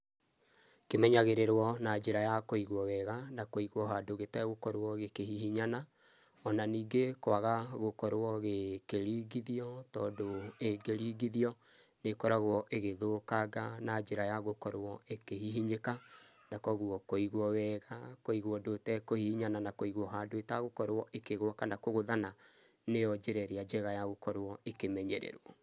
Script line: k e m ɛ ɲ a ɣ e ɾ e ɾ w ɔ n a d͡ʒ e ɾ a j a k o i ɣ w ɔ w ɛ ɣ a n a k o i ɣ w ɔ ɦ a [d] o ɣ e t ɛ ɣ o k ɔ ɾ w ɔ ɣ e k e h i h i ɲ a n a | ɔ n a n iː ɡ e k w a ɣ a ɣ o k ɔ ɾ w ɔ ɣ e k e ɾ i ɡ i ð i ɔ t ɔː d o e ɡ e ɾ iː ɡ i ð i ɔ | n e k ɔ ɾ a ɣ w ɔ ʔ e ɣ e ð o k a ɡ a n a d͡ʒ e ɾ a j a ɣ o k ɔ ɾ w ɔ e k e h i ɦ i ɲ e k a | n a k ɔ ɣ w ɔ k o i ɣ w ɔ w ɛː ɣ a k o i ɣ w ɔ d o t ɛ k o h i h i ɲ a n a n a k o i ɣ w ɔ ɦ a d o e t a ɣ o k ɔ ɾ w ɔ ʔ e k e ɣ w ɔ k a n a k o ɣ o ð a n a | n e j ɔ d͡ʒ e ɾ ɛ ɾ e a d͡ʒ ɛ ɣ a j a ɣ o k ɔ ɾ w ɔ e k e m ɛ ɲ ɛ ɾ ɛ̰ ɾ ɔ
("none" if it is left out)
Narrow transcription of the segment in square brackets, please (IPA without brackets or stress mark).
d